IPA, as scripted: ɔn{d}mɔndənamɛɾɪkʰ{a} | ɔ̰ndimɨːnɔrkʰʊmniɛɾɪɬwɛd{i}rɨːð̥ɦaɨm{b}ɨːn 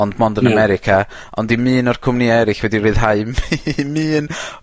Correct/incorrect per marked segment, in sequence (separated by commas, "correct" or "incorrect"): correct, correct, correct, incorrect